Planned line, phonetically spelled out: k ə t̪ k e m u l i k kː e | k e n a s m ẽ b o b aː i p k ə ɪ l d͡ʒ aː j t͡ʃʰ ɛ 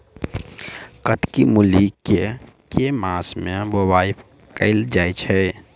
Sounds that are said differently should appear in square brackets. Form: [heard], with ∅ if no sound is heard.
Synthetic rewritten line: k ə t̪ k [i] m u l i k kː e | k e [m] a s m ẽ b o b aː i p k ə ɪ l d͡ʒ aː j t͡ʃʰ ɛ

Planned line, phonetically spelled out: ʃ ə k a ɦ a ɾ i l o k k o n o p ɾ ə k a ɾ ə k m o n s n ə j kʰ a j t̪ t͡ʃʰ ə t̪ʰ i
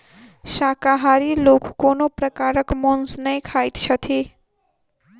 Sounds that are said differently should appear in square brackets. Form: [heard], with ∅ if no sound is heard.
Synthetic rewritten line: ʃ [a] k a ɦ a ɾ i l o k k o n o p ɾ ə k a ɾ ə k m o n s n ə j kʰ a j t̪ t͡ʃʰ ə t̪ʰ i

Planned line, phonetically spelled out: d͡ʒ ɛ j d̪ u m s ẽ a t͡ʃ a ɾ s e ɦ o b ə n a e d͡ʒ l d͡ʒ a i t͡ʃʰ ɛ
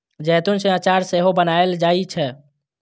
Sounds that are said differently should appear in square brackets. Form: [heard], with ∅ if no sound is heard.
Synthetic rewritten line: d͡ʒ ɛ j [t̪] u [n] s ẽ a t͡ʃ a ɾ s e ɦ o b ə n a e [∅] l d͡ʒ a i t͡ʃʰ ɛ

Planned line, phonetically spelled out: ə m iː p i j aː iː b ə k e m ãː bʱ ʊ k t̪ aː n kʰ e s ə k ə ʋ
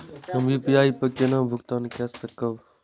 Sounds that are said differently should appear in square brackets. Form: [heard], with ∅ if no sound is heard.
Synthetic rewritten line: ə m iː p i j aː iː [p] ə k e [n] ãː bʱ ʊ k t̪ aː n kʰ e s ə k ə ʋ

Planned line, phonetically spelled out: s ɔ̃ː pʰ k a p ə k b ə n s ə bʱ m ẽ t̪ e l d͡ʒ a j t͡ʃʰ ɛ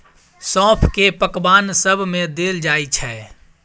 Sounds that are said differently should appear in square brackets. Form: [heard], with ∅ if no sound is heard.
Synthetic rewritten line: s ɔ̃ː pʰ k [e] p ə k b [a] n s ə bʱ m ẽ [d̪] e l d͡ʒ a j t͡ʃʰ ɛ

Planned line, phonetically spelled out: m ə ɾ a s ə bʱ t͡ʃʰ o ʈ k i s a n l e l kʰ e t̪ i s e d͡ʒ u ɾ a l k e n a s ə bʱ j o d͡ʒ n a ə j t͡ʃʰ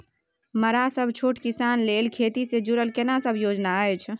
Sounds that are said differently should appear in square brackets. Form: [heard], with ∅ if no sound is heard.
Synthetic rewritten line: m ə ɾ a s ə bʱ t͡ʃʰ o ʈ k i s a n l e l kʰ e t̪ i s e d͡ʒ u ɾ [ə] l k e n a s ə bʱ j o d͡ʒ n a ə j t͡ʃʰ

